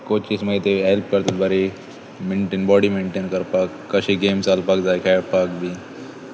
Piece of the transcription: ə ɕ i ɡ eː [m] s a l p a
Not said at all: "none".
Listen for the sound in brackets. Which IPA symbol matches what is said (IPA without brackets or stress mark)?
m